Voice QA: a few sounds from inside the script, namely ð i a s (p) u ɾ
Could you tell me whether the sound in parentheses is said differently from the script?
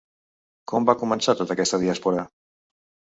no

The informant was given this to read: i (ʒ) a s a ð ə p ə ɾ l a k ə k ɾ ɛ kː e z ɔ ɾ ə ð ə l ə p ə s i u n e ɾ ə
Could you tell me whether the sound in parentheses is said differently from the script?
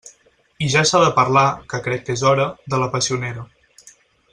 no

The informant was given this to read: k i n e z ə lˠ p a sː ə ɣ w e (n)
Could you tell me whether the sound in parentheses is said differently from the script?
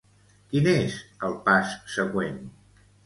no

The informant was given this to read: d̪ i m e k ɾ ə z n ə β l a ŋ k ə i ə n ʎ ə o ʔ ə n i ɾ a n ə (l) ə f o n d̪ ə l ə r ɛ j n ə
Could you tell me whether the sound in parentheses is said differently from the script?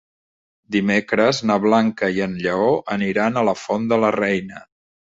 no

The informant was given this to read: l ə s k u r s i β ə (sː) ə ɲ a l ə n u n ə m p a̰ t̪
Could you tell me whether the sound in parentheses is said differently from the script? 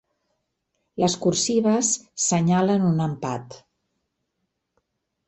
no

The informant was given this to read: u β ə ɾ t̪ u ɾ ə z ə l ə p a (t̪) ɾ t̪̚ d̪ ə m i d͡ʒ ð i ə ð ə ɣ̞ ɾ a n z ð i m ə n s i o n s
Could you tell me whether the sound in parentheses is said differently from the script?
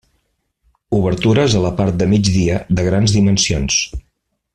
yes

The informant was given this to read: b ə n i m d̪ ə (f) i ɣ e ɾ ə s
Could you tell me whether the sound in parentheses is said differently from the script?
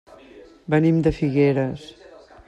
no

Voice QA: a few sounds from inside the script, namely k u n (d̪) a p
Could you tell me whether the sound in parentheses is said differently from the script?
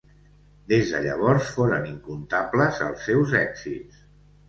yes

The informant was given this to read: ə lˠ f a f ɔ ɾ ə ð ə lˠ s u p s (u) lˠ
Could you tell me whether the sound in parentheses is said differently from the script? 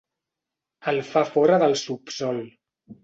yes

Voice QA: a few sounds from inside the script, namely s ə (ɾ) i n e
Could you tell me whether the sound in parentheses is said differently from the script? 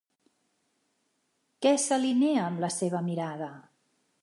yes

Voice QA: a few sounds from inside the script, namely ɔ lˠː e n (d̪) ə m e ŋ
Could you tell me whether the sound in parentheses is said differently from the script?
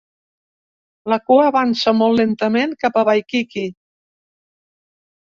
yes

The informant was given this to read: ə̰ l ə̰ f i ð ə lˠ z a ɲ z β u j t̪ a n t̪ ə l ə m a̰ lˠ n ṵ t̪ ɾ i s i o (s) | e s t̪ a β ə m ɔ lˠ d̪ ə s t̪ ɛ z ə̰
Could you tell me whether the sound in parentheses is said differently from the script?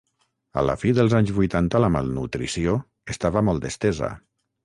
yes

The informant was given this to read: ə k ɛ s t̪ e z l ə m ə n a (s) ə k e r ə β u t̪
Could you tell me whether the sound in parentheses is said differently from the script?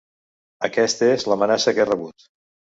no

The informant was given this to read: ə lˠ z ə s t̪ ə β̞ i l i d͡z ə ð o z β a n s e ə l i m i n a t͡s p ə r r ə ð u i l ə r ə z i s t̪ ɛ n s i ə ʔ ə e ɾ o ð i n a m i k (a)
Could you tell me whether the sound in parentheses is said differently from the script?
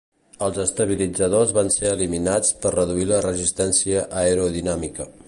yes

